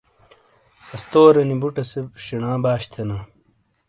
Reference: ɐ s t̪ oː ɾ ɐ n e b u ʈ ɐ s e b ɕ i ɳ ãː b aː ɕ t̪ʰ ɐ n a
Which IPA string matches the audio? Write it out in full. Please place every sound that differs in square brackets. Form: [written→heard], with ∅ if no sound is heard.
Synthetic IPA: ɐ s t̪ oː ɾ ɐ n [e→i] b u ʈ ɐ s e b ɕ i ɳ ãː b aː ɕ t̪ʰ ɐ n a